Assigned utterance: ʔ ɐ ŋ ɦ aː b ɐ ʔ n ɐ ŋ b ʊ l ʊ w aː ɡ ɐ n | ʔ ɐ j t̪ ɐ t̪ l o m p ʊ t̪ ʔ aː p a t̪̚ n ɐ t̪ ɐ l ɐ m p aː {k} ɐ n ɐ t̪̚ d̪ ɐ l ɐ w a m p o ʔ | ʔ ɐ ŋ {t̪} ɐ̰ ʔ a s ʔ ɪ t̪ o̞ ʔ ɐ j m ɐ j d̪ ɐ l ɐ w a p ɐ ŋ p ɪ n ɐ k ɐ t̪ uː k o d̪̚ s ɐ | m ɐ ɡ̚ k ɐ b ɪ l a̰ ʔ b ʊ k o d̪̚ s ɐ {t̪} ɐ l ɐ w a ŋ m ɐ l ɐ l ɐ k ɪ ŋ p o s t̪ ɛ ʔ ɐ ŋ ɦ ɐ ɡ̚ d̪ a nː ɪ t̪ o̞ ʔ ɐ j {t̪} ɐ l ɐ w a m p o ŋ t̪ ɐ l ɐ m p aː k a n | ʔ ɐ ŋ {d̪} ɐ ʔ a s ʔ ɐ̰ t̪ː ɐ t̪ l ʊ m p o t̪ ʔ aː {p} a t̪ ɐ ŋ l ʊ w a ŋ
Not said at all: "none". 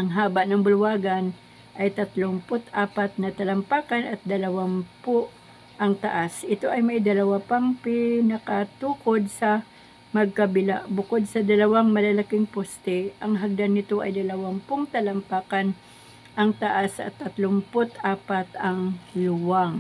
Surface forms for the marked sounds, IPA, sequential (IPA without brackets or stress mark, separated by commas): k, t̪, d̪, d̪, t̪, p